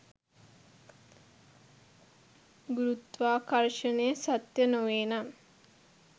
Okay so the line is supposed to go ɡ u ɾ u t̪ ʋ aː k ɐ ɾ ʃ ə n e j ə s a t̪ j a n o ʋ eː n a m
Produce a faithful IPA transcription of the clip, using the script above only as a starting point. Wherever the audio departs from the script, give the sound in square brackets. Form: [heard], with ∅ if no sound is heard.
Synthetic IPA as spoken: ɡ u ɾ u t̪ ʋ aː k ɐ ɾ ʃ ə n e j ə s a t̪ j [ə] n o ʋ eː n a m

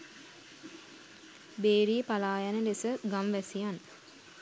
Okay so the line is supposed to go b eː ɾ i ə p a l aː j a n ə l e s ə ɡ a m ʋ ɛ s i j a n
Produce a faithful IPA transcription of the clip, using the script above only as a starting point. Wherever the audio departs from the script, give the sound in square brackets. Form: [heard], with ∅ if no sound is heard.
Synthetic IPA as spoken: b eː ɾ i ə p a l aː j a n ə l e s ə ɡ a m ʋ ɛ s i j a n

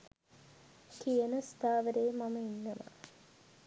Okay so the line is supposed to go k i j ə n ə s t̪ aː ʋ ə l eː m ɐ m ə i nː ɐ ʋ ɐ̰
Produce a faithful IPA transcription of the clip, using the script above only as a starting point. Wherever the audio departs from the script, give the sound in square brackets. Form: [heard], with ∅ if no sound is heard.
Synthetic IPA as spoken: k i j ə n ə s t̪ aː ʋ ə [ɾ] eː m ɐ m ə i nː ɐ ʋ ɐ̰

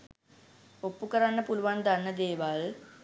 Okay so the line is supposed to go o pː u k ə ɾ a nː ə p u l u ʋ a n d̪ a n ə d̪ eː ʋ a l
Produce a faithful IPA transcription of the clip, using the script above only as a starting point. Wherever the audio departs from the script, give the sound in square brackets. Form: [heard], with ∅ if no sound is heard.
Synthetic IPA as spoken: o pː u k ə ɾ a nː ə p u l u ʋ a n d̪ a [nː] ə d̪ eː ʋ a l

